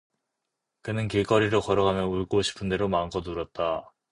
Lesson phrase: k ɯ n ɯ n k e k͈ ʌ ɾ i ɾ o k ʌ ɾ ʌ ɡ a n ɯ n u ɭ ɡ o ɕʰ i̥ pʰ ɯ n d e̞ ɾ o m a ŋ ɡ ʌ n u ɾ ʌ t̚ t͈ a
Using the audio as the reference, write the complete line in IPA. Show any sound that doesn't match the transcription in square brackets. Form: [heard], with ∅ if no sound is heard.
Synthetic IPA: k ɯ n ɯ n k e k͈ ʌ ɾ i ɾ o k ʌ ɾ ʌ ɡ a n ɯ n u ɭ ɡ o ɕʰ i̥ pʰ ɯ n d e̞ ɾ o m a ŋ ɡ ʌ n u ɾ ʌ t̚ t͈ a